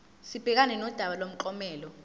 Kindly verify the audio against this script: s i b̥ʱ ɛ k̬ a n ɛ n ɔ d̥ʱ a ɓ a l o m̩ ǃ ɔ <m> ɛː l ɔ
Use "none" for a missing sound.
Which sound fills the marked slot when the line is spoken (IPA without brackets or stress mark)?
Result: m